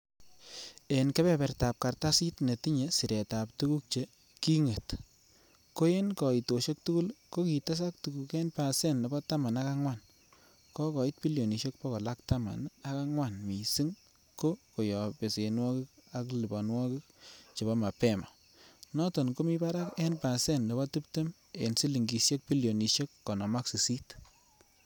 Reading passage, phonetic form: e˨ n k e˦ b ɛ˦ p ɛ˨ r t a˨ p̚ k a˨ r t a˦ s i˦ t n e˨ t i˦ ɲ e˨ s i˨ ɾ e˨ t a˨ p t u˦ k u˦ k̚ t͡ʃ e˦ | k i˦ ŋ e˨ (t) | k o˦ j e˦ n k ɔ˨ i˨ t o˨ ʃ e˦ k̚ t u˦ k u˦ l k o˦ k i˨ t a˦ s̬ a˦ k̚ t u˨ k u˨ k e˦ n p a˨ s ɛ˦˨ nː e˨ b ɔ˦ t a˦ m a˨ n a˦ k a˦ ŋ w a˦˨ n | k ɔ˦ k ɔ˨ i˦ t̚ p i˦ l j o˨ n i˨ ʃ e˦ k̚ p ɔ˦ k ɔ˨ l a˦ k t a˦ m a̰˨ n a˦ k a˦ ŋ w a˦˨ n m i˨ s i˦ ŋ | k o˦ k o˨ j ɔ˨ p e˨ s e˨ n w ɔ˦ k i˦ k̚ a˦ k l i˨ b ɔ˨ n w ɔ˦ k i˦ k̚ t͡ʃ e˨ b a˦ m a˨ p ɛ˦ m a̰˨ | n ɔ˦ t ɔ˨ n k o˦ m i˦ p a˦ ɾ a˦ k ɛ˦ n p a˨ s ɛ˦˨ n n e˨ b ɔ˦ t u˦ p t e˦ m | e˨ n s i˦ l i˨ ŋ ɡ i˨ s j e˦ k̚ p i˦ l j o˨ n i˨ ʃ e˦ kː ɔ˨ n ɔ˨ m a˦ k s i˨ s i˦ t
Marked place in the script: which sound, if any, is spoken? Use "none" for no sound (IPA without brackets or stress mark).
t